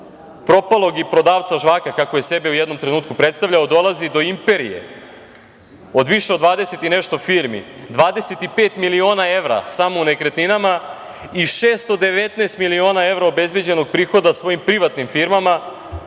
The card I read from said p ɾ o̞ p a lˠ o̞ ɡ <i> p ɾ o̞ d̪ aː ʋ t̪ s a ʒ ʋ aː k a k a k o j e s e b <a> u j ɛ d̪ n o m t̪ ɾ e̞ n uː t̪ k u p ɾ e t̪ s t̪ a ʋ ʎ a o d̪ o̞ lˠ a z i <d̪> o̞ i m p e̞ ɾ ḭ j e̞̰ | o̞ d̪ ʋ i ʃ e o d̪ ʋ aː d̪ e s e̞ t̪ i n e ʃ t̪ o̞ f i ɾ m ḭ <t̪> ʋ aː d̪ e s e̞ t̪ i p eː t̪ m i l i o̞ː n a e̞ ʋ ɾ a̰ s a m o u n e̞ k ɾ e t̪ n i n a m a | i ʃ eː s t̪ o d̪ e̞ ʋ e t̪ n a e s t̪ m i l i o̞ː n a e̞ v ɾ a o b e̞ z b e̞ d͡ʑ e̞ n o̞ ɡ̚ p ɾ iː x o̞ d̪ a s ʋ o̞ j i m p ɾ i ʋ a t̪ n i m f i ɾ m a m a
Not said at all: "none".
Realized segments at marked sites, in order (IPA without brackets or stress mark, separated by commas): i, e, d̪, d̪